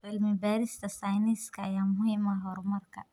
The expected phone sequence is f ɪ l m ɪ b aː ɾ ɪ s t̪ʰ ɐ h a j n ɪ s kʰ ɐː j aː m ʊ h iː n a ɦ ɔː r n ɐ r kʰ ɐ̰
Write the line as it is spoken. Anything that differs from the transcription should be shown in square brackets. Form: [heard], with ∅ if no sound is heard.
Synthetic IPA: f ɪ l m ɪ b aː ɾ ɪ s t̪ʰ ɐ [s] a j n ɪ s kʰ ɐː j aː m ʊ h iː [m] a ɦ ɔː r [m] ɐ r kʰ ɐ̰